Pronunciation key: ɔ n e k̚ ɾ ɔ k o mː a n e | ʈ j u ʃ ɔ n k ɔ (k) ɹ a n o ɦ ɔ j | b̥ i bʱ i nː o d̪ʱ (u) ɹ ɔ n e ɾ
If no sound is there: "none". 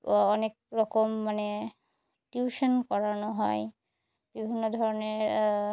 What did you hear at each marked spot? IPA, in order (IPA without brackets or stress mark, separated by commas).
none, ɔ